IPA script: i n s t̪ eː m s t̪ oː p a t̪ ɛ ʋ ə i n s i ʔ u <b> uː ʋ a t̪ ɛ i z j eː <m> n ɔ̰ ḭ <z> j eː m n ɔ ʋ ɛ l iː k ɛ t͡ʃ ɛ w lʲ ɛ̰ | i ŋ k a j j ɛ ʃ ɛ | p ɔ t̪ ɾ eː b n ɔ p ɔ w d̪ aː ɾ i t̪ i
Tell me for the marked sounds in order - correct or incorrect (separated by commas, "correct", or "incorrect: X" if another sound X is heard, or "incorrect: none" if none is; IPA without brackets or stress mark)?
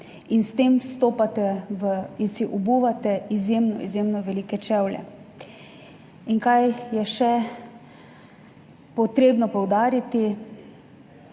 correct, correct, correct